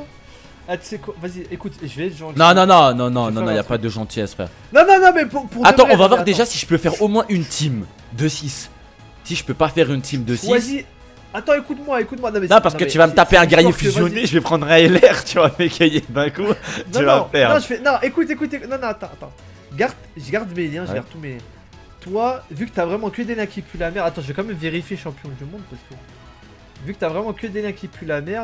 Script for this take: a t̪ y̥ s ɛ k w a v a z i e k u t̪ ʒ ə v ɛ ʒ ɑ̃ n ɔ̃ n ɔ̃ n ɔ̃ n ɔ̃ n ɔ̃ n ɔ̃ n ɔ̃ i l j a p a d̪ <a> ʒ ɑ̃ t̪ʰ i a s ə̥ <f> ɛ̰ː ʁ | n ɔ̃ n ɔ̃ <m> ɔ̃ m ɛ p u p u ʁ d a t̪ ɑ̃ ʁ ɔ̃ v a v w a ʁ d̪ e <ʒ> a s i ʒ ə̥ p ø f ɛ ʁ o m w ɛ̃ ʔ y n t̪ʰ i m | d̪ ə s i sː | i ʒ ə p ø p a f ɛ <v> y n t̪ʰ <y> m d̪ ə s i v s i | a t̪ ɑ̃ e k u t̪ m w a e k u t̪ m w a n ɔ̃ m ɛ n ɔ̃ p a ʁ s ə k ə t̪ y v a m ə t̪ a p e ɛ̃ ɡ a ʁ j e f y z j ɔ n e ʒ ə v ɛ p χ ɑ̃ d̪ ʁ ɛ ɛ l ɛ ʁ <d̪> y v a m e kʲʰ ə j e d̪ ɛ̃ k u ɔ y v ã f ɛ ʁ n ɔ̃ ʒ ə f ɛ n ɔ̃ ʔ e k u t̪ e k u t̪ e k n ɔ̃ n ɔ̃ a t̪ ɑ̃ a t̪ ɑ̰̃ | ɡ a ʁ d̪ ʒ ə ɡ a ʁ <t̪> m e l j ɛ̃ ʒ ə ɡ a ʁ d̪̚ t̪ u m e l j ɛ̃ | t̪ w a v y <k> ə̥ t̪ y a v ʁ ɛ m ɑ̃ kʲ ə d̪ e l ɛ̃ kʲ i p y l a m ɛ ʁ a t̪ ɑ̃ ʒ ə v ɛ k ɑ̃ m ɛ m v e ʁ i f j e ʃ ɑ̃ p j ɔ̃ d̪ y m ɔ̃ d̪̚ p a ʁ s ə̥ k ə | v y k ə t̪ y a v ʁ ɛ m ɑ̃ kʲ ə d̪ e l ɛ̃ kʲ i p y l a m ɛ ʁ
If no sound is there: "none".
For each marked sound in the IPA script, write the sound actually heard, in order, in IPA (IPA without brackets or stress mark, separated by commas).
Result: ə, f, n, ʒ, ʁ, i, t̪, d̪, k